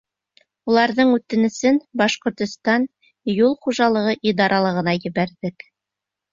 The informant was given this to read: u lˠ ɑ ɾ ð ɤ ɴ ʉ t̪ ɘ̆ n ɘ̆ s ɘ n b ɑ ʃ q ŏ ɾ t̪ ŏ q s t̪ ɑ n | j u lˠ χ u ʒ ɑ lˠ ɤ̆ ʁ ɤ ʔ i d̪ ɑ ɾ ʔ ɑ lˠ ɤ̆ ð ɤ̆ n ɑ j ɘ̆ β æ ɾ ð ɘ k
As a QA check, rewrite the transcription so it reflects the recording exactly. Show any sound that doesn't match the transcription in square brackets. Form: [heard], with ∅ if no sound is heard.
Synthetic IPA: u lˠ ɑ ɾ ð ɤ ɴ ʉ t̪ ɘ̆ n ɘ̆ s ɘ n b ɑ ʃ q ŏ ɾ t̪ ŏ [∅] s t̪ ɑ n | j u lˠ χ u ʒ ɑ lˠ ɤ̆ ʁ ɤ ʔ i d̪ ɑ ɾ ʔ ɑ lˠ ɤ̆ [ʁ] ɤ̆ n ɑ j ɘ̆ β æ ɾ ð ɘ k